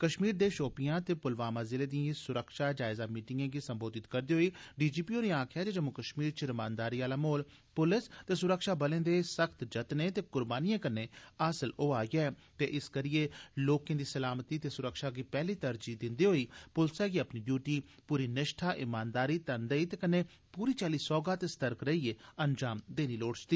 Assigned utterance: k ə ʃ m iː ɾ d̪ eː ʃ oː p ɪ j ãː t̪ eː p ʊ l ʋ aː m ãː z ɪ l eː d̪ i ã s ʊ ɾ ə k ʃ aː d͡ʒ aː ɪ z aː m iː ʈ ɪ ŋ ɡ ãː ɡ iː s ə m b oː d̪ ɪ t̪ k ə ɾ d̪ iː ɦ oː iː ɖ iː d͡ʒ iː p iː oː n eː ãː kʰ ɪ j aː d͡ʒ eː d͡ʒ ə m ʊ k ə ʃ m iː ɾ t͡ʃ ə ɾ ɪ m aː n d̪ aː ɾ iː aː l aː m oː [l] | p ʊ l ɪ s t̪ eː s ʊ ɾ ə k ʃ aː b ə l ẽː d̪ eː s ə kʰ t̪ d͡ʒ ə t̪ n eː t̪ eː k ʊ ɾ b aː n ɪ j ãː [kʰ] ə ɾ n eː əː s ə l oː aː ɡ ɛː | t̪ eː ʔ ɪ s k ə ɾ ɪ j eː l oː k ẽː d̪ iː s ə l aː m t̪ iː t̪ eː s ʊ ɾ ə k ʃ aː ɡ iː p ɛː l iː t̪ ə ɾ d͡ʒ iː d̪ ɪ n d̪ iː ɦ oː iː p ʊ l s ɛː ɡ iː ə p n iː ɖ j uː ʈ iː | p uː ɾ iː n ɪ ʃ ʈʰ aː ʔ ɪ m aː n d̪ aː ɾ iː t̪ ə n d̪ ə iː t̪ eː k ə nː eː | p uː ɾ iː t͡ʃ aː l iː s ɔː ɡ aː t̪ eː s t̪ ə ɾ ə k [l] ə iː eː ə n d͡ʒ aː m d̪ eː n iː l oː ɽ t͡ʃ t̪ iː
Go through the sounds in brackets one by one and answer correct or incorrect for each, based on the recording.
correct, incorrect, incorrect

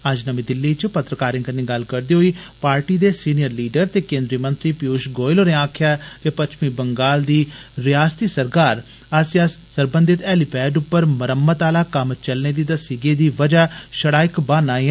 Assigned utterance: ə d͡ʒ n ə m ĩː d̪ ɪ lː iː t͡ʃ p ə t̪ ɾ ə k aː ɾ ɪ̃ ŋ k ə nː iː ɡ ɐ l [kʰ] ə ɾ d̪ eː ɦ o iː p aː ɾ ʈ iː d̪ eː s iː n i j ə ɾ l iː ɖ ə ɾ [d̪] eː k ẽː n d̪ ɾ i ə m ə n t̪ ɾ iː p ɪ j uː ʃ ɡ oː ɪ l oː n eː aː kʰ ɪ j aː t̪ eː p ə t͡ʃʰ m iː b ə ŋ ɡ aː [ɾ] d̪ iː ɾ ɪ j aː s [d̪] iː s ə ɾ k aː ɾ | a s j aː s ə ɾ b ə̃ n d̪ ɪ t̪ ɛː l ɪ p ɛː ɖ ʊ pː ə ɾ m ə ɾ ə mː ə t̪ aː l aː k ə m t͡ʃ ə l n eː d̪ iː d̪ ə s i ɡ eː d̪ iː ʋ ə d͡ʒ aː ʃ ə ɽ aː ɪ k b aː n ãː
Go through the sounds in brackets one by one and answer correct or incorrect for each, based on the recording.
incorrect, incorrect, incorrect, incorrect

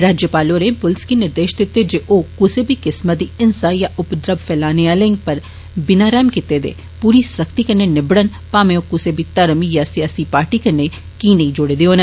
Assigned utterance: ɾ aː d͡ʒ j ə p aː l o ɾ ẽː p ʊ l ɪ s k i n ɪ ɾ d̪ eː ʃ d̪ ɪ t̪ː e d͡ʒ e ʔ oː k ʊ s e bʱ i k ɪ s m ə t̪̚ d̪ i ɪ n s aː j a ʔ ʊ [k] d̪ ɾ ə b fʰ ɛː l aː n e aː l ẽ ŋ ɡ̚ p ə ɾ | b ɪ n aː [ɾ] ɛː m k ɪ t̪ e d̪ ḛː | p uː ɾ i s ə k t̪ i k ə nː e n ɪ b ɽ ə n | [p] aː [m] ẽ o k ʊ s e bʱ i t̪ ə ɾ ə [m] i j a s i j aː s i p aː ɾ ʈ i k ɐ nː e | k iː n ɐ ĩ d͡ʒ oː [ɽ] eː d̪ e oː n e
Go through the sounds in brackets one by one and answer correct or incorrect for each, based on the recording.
incorrect, correct, correct, correct, correct, correct

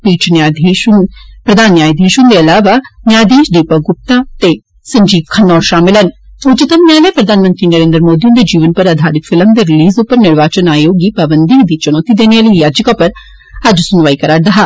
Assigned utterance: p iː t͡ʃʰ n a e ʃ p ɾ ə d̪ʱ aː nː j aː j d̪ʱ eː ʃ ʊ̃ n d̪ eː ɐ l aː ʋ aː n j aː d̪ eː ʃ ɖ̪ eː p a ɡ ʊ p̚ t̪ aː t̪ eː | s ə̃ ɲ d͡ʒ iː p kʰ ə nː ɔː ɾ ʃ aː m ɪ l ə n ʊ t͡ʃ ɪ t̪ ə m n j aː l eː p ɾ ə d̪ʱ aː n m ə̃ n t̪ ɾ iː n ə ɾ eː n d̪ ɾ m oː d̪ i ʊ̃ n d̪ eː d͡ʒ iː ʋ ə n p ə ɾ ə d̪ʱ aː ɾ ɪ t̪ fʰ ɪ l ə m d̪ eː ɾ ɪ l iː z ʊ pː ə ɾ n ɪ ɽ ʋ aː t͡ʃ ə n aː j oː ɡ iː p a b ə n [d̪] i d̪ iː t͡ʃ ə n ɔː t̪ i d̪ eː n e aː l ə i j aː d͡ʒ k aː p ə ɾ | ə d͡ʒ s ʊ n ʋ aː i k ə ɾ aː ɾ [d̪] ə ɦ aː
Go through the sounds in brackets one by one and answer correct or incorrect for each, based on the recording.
correct, correct

